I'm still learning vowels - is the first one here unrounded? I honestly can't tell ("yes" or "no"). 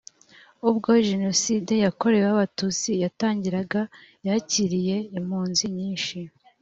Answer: no